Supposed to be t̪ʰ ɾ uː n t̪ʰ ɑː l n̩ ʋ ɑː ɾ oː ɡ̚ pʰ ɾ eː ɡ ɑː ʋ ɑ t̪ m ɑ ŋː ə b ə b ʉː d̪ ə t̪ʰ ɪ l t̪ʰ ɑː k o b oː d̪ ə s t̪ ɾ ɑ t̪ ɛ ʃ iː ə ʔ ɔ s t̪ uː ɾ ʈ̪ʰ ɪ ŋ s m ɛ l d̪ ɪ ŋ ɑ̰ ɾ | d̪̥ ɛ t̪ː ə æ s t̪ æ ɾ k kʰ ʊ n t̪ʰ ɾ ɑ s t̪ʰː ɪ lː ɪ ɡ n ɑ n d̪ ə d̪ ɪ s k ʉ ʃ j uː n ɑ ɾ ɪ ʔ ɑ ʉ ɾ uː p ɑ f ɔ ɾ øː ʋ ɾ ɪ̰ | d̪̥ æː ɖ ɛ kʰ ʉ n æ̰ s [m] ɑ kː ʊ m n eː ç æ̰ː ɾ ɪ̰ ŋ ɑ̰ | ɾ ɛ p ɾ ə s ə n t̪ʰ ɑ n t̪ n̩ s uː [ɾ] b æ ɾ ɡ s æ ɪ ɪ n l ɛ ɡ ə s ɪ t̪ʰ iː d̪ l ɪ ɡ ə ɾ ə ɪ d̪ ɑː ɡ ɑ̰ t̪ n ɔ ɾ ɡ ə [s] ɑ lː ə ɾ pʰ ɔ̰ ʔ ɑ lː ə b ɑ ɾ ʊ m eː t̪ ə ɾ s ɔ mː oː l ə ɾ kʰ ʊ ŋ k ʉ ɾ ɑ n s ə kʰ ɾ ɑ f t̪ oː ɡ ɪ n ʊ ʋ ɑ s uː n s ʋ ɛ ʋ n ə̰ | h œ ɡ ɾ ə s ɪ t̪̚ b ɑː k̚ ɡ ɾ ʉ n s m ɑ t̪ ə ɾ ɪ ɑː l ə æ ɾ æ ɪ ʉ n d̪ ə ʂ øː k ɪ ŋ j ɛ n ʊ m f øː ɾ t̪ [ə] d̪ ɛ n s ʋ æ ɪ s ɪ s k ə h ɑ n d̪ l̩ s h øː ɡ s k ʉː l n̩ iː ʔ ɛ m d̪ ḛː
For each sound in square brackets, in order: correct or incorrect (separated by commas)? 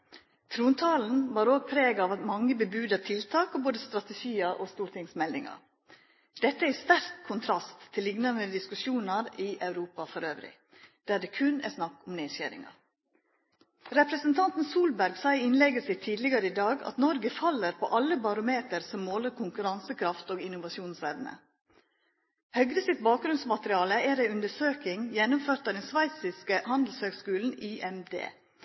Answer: incorrect, incorrect, incorrect, incorrect